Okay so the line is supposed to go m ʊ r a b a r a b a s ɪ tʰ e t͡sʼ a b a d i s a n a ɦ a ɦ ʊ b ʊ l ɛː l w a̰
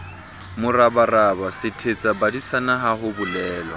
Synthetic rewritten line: m ʊ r a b a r a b a s ɪ tʰ e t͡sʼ a b a d i s a n a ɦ a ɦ ʊ b ʊ l ɛː l w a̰